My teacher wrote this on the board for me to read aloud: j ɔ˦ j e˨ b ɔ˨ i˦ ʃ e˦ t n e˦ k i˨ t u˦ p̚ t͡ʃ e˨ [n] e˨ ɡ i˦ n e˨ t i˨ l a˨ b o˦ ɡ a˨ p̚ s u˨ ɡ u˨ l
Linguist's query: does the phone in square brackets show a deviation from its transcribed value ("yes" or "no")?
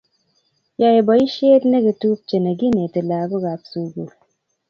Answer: no